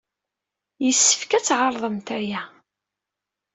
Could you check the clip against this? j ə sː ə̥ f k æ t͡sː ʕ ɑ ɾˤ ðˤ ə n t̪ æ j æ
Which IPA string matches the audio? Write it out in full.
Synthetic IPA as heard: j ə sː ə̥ f k æ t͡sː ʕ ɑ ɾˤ ðˤ ə m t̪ æ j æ